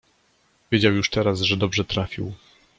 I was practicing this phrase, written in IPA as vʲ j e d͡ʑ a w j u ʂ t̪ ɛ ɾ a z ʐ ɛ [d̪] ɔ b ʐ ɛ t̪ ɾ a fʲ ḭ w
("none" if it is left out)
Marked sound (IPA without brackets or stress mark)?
d̪